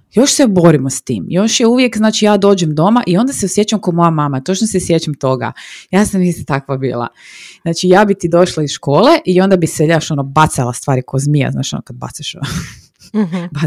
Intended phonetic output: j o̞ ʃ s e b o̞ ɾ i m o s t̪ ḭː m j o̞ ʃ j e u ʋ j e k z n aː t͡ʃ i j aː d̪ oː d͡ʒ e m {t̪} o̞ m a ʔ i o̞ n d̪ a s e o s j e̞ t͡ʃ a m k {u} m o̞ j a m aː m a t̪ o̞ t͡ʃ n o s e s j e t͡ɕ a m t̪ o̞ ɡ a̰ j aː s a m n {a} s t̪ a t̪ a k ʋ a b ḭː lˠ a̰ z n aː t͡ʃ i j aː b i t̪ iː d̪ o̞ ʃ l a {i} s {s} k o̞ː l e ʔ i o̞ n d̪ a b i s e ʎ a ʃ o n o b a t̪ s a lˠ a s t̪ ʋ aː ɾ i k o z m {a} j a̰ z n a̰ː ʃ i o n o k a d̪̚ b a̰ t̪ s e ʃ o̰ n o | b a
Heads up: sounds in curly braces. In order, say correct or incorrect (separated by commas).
incorrect, incorrect, incorrect, correct, incorrect, incorrect